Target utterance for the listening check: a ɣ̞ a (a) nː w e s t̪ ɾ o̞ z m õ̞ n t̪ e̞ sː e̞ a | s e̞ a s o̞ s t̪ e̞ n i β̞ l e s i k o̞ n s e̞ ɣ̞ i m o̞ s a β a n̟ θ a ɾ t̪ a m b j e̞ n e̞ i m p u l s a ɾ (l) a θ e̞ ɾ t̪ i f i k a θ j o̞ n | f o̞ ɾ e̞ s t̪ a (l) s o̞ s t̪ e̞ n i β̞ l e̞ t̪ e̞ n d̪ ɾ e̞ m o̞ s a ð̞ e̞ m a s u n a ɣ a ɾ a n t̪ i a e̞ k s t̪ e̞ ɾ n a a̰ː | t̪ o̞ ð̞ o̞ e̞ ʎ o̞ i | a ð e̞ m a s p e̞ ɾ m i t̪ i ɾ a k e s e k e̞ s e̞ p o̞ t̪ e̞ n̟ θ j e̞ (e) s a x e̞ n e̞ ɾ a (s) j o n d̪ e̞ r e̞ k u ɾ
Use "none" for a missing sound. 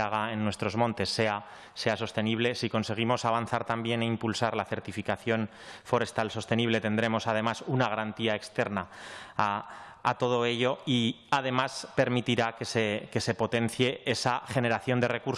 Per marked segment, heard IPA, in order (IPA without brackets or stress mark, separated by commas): e, l, l, e, θ